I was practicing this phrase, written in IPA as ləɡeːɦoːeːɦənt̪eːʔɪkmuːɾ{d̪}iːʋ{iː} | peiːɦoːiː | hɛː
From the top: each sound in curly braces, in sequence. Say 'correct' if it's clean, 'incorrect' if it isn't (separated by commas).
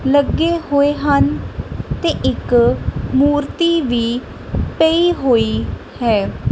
incorrect, correct